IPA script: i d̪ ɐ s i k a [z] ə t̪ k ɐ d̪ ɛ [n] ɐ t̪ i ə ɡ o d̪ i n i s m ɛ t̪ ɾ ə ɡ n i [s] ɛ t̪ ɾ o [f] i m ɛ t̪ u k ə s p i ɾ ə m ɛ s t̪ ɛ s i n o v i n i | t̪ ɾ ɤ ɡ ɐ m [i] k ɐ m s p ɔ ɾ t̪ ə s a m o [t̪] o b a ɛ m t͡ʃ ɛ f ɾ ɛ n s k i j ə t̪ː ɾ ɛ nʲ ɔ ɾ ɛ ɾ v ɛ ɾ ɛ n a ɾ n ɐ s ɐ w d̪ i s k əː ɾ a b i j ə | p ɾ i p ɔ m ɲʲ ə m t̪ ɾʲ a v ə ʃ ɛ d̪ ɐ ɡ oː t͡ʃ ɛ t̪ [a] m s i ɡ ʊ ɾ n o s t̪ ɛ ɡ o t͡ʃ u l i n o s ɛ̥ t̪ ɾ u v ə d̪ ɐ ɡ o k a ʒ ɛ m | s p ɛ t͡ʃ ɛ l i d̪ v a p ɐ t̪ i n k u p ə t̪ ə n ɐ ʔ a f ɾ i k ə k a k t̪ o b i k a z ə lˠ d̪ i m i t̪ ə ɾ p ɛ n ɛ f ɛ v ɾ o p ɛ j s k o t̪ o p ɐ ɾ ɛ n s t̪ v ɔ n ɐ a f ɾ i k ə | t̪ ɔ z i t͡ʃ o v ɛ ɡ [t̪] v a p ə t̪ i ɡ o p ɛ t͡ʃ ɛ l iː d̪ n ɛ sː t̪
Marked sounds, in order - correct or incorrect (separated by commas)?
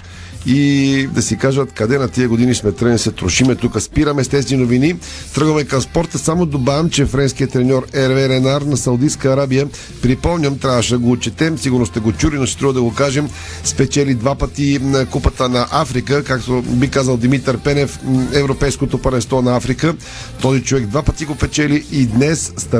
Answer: incorrect, correct, correct, incorrect, incorrect, incorrect, incorrect, incorrect